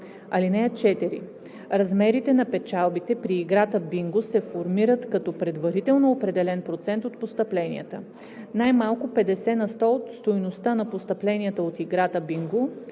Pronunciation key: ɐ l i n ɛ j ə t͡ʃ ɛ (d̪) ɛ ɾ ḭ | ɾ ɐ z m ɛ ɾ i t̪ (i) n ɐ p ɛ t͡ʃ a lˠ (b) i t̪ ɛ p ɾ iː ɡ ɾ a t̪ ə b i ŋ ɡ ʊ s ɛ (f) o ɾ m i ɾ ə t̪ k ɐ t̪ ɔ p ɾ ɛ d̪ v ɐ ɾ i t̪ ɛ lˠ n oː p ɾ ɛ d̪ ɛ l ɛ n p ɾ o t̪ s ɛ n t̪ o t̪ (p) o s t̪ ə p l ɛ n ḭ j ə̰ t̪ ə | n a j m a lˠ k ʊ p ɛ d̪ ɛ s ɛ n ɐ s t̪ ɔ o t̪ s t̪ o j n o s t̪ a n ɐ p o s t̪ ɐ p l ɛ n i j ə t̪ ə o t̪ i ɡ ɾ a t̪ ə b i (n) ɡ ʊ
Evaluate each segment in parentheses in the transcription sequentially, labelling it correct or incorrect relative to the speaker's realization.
incorrect: t̪, incorrect: ɛ, correct, correct, correct, incorrect: ŋ

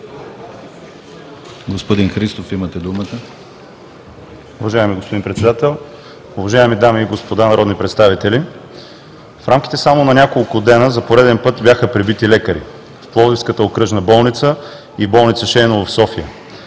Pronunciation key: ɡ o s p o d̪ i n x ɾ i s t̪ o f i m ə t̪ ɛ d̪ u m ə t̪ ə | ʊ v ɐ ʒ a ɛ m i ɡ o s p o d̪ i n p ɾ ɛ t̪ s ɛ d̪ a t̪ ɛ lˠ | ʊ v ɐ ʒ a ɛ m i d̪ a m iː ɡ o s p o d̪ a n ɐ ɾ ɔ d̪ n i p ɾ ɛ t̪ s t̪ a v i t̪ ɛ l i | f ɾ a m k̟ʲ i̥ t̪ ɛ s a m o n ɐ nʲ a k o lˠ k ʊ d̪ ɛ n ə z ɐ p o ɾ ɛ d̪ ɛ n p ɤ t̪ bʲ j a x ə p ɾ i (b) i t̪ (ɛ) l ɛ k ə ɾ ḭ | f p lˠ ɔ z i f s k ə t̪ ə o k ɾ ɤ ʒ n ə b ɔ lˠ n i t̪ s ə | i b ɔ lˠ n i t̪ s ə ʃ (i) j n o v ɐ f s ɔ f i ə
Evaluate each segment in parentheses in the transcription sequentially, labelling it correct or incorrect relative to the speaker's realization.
correct, incorrect: i, incorrect: ɛ

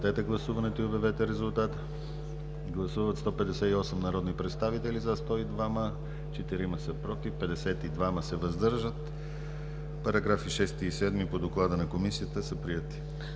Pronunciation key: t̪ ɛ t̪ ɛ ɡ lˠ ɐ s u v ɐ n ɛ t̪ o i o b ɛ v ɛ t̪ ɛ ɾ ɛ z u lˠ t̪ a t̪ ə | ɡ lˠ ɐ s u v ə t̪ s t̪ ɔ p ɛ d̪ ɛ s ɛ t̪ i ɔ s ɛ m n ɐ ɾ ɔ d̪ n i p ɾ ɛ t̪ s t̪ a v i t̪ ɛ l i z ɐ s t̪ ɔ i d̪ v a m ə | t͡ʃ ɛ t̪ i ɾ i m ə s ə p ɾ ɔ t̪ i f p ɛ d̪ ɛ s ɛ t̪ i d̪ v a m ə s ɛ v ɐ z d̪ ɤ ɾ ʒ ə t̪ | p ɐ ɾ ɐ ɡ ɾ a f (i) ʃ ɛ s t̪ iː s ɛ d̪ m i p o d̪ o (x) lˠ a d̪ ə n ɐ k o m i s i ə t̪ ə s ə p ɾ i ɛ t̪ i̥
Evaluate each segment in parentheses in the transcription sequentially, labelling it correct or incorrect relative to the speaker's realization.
correct, incorrect: k

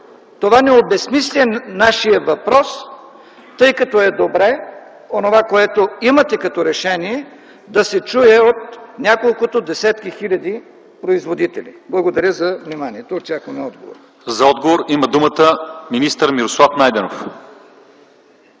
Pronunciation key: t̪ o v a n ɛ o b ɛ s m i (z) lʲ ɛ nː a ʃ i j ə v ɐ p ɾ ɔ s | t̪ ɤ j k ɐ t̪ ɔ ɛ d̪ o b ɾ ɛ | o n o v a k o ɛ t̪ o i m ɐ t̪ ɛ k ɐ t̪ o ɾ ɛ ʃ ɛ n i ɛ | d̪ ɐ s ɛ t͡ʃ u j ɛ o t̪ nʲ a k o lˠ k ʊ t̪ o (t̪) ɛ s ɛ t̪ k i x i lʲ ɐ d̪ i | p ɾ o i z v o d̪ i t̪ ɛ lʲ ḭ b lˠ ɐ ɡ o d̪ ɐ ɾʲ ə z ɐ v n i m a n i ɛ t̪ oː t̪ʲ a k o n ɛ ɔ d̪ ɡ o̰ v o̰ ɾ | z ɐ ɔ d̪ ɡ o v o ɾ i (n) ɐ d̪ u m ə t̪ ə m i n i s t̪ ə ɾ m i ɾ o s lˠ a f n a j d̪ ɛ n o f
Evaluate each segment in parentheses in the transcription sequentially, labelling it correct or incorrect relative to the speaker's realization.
incorrect: s, incorrect: d̪, incorrect: m

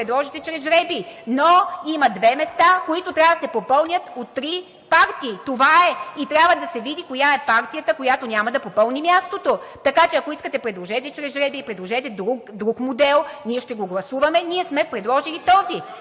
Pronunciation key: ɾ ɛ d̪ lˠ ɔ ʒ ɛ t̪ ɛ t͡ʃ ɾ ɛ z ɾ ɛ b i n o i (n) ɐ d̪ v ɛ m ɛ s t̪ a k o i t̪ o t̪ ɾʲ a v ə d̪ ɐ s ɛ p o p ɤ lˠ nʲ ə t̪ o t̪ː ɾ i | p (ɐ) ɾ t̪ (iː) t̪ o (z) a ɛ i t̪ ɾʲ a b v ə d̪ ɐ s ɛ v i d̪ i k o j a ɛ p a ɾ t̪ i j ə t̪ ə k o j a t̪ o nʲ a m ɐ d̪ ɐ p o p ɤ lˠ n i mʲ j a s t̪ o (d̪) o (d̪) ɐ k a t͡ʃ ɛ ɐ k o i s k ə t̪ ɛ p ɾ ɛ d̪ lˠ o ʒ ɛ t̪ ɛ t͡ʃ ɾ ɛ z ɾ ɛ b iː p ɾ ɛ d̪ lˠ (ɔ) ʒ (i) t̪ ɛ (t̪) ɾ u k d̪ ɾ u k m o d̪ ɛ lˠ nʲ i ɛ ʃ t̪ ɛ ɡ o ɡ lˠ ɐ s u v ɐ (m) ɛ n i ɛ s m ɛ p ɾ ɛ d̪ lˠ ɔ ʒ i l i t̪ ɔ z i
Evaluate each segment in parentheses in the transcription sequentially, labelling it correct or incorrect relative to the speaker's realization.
incorrect: m, incorrect: a, correct, incorrect: v, incorrect: t̪, incorrect: t̪, incorrect: o, incorrect: ɛ, incorrect: d̪, correct

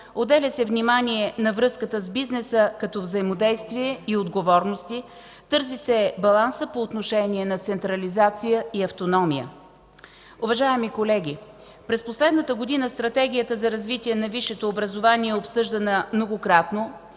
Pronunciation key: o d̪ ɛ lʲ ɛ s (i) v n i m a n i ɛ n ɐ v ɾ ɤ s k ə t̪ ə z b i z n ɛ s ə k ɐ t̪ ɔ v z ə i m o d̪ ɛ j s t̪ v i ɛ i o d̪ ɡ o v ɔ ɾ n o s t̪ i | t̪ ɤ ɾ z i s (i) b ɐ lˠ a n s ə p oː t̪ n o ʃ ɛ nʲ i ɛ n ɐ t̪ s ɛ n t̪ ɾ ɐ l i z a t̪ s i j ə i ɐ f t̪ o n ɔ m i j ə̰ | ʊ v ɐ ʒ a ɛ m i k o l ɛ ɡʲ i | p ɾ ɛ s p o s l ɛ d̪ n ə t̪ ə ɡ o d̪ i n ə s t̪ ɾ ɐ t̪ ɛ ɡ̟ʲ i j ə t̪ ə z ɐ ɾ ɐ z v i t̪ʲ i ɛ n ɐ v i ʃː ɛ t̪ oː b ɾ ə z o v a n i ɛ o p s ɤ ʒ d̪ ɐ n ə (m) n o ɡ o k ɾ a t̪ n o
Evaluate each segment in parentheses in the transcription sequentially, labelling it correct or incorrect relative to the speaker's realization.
incorrect: ɛ, incorrect: ɛ, correct

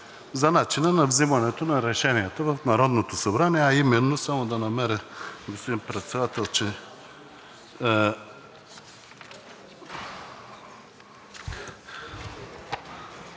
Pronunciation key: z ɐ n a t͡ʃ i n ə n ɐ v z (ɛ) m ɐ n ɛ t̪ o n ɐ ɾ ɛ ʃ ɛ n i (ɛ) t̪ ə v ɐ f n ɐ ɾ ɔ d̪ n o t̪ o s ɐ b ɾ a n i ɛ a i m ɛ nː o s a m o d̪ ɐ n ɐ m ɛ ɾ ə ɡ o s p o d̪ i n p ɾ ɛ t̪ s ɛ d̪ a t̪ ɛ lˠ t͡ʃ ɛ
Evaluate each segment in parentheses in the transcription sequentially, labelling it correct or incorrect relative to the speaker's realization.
incorrect: i, correct

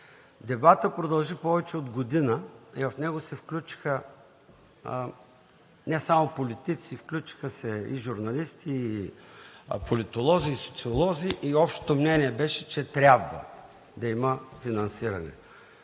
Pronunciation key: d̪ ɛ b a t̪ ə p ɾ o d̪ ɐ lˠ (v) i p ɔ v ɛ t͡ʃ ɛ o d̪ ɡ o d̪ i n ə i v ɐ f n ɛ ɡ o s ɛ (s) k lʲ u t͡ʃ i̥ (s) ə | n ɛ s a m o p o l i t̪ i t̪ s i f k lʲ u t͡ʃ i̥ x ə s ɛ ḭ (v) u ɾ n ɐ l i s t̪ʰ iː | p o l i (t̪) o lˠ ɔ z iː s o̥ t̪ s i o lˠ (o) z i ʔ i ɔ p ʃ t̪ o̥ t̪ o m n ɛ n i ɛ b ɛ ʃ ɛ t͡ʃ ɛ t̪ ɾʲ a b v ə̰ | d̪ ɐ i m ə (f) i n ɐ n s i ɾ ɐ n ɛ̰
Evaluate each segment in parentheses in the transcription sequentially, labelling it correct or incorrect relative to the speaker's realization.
incorrect: ʒ, incorrect: f, incorrect: x, incorrect: ʒ, correct, incorrect: ɔ, correct

